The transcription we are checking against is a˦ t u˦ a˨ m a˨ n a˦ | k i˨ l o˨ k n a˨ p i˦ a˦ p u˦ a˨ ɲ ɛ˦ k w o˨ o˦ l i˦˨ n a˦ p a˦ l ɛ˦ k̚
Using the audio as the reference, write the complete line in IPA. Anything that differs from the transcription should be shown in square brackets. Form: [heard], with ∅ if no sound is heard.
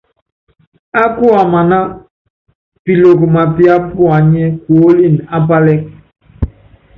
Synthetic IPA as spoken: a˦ [k] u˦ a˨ m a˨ n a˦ | [p] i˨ l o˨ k [m] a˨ p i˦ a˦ p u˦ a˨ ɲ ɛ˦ k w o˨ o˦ l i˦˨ n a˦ p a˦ l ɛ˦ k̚

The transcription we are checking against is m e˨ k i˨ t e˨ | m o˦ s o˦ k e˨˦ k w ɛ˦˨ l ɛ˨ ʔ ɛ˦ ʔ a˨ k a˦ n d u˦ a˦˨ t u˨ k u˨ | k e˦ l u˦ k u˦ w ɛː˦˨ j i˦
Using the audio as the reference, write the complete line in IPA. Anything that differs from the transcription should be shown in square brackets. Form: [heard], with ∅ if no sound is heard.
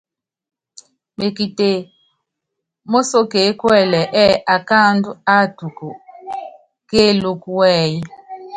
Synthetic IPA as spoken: m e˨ k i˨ t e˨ | m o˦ s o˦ k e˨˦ k w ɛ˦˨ l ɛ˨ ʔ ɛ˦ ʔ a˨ k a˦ n d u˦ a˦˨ t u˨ k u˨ | k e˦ l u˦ k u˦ w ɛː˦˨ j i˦

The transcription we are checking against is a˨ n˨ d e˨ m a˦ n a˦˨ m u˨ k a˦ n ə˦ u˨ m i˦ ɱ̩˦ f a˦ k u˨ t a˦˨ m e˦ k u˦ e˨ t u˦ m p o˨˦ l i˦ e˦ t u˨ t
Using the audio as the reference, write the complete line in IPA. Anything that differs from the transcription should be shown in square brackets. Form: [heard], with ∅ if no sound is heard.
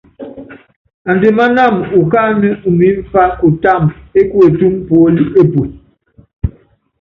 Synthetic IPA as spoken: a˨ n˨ d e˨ m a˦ n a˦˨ m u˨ k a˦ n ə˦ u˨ m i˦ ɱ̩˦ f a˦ k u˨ t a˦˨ m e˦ k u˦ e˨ t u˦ m p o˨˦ l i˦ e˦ [p] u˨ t

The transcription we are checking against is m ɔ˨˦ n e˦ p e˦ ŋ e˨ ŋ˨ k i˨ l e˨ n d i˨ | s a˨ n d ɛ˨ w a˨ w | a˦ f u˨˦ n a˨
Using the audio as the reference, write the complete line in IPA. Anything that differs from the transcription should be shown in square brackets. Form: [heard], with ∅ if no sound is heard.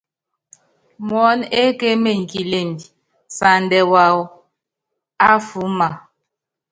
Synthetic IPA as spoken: m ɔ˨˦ n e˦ [k] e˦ [m] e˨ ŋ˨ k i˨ l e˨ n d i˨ | s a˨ n d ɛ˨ w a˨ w | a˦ f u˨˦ [m] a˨

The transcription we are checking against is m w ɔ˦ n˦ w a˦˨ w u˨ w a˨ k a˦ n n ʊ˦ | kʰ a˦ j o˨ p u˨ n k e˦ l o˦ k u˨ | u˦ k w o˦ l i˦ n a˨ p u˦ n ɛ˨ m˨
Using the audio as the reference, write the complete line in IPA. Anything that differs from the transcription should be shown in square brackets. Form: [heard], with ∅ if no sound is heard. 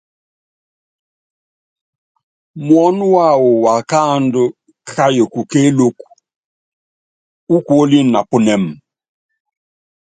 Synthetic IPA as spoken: m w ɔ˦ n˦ w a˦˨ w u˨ w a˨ k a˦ n [d] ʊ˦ | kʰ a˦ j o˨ [k] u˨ [∅] k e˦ l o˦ k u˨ | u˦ k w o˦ l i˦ n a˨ p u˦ n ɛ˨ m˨

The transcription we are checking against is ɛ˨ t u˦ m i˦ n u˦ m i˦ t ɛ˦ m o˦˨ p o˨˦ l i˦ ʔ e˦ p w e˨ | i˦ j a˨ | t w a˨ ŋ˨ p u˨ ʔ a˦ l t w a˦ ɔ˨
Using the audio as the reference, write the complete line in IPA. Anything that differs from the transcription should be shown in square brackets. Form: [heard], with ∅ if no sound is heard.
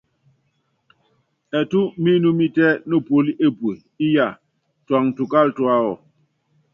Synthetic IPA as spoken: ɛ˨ t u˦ m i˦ n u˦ m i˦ t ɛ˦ [n] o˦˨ p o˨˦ l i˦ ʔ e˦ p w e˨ | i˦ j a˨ | t w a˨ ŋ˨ [t] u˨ [k] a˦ l t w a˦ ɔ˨

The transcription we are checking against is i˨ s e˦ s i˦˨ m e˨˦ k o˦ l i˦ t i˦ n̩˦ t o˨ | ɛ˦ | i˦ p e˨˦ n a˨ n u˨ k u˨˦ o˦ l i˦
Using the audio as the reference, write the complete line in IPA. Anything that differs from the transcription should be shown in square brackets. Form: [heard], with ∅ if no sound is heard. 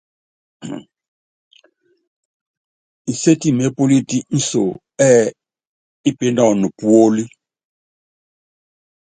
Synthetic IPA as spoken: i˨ s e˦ [t] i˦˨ m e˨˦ [p] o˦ l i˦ t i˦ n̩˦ [s] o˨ | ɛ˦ | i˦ p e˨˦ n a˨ n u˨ [p] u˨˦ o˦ l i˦

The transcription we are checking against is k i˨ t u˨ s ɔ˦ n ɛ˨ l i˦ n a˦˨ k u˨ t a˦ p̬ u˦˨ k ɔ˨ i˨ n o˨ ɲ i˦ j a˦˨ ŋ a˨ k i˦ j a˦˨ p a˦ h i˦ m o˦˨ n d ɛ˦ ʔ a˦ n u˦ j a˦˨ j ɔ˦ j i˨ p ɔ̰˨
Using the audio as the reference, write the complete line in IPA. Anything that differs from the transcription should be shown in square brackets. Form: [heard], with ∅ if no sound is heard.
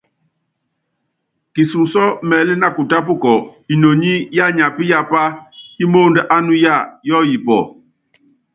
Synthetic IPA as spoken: k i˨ [s] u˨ s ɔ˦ [m] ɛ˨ l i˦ n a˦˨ k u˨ t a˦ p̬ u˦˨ k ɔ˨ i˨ n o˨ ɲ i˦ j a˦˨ [ɲ] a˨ [p] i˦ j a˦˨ p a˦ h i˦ m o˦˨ n d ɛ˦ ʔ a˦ n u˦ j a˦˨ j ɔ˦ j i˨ p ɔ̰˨

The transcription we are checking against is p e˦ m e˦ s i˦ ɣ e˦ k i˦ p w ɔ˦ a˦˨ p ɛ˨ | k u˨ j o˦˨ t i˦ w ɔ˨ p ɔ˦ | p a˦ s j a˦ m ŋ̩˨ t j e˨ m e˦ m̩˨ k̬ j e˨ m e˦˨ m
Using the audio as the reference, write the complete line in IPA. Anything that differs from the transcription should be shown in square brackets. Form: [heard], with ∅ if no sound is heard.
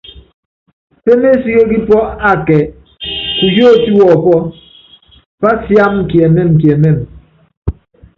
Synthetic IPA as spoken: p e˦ m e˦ s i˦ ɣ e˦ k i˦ p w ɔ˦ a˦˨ [k] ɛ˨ | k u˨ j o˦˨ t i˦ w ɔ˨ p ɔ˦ | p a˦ s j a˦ m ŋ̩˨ [k] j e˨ m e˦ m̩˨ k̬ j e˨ m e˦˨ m

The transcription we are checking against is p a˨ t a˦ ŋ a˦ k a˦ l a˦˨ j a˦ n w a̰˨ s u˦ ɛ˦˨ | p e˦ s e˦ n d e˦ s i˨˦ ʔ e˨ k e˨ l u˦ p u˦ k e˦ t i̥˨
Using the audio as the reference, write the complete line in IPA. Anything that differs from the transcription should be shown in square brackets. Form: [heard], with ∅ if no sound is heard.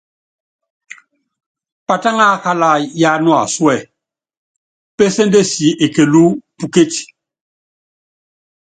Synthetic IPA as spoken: p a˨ t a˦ ŋ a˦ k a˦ l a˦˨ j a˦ n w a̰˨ s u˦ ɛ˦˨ | p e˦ s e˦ n d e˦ s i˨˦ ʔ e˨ k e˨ l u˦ p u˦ k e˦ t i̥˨

